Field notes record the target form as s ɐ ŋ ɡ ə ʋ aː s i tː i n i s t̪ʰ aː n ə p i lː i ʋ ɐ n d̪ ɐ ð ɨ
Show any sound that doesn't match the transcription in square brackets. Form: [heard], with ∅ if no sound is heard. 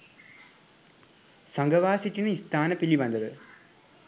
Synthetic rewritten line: s ɐ ŋ ɡ [ɐ] ʋ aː s i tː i n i s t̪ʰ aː n [ɐ] p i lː i ʋ ɐ n d̪ ɐ ð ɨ